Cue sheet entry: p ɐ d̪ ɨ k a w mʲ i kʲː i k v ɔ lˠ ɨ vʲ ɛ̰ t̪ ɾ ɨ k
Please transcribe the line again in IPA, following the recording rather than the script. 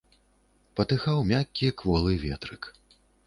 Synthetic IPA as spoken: p ɐ t̪ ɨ x a w mʲ a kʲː i k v ɔ lˠ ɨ vʲ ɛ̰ t̪ ɾ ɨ k